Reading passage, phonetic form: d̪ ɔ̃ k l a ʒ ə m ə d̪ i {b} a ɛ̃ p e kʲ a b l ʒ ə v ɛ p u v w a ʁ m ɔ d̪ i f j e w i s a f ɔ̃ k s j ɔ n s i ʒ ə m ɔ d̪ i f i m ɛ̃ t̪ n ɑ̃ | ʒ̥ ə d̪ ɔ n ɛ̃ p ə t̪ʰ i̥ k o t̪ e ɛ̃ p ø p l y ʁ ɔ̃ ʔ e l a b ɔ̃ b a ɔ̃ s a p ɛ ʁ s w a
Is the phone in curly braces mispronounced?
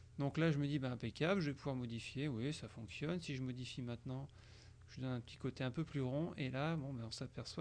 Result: no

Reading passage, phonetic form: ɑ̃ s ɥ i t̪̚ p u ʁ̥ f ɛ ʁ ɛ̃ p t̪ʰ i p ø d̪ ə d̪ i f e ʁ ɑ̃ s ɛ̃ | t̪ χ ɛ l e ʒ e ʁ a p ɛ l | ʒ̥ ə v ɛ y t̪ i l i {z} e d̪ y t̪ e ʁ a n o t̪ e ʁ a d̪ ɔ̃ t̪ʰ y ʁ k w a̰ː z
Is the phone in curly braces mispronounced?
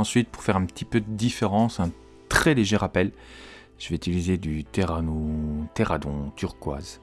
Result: no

